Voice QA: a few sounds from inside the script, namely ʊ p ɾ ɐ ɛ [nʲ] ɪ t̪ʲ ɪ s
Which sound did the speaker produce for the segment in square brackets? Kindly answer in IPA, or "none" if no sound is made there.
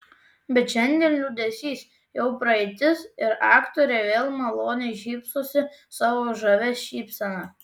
none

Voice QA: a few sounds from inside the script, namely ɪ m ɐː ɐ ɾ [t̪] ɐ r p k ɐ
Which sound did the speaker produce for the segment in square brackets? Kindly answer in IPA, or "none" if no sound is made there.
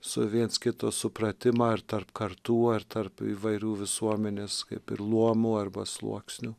t̪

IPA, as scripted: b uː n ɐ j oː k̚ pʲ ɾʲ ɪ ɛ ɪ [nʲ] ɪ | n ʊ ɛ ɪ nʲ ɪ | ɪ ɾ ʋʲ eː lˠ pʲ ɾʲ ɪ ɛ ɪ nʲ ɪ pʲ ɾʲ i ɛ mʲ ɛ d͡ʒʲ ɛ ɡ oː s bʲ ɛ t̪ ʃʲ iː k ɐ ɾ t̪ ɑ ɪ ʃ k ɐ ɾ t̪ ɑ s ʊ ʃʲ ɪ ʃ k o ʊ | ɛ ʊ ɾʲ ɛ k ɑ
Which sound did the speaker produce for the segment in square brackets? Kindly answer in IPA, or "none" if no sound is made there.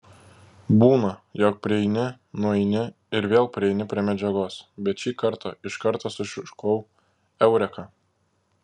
nʲ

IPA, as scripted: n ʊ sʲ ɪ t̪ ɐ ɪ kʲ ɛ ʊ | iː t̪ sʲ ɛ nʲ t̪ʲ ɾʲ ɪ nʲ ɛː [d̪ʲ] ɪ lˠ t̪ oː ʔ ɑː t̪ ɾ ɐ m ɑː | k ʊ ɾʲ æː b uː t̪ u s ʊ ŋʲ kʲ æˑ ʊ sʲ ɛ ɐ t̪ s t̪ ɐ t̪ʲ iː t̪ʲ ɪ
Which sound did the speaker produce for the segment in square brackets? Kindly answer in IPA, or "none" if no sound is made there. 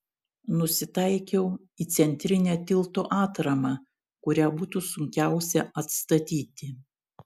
t̪ʲ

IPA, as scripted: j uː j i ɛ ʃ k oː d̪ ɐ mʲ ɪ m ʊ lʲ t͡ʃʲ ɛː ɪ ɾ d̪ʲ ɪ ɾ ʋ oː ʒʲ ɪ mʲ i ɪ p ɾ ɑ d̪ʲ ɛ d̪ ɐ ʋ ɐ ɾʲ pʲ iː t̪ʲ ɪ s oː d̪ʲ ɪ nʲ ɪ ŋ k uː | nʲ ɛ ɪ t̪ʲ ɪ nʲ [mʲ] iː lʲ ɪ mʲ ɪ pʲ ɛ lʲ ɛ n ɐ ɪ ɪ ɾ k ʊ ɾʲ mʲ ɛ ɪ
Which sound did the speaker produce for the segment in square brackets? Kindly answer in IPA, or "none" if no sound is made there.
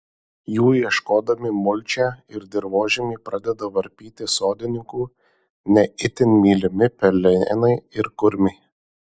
mʲ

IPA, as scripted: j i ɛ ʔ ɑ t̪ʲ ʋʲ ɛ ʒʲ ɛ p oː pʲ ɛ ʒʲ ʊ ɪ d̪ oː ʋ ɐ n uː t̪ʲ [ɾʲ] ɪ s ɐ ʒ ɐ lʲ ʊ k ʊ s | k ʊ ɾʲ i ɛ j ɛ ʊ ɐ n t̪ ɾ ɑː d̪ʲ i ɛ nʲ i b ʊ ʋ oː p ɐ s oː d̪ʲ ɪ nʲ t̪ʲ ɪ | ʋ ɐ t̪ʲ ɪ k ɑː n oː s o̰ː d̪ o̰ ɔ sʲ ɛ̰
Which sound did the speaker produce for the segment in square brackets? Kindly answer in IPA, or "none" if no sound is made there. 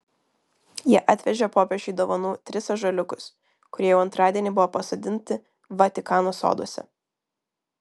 ɾʲ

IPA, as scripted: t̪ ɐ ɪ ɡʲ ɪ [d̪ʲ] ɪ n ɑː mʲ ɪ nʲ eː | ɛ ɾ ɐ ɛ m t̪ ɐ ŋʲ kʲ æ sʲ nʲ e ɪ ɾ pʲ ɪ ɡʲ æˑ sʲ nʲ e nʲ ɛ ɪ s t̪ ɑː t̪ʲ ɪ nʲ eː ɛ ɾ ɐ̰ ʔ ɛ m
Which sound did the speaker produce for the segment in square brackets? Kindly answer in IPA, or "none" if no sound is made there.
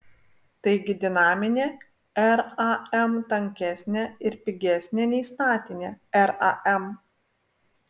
d̪ʲ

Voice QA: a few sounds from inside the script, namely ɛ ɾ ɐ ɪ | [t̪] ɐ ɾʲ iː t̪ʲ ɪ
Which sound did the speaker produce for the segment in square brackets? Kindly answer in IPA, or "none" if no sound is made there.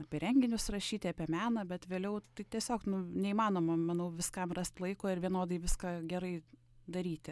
d̪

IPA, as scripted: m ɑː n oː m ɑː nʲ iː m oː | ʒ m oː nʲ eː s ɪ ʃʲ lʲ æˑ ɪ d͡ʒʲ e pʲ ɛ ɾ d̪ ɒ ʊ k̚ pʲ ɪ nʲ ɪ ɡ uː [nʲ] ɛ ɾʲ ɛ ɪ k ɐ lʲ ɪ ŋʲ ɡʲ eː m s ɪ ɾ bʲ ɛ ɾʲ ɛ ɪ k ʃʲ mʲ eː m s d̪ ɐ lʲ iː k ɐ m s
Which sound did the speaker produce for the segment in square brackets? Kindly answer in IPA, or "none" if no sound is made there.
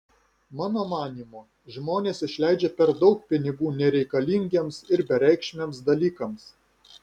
nʲ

